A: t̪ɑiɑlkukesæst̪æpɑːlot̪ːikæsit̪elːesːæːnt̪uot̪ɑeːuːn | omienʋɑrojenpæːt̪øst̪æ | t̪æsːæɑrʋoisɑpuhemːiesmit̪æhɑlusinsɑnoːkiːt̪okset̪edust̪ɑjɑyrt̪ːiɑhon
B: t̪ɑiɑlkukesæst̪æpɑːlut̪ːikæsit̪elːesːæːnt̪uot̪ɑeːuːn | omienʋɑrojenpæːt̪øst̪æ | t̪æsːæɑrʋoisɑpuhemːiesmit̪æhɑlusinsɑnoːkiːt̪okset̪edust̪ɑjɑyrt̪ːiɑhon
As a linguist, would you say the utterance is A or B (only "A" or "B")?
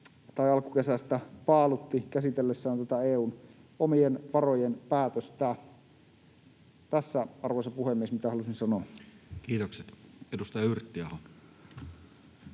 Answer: B